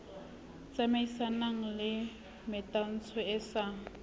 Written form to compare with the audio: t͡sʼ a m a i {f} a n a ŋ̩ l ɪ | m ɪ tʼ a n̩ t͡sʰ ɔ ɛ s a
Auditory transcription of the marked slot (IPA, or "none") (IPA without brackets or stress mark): s